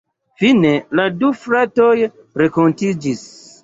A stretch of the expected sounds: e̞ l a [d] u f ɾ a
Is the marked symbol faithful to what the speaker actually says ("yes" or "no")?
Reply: yes